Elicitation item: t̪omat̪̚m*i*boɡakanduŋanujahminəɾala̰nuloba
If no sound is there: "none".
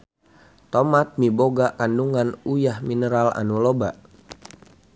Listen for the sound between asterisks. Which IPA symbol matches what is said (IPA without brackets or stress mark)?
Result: i